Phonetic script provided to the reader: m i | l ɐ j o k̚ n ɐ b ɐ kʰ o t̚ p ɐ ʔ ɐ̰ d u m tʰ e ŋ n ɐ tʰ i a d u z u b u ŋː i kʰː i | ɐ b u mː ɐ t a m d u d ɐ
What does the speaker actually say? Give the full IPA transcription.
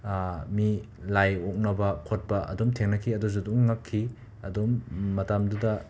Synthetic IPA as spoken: m i | l a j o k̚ n ɐ b ɐ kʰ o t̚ p ɐ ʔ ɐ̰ d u m tʰ e ŋ n ɐ kʰ i ɐ d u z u d u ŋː a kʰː i | ɐ d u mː ɐ t a m d u d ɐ